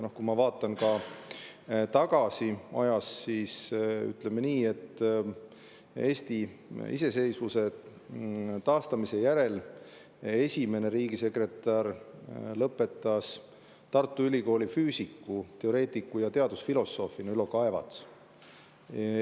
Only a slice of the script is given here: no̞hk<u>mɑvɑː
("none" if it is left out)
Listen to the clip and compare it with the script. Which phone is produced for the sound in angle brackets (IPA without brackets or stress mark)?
u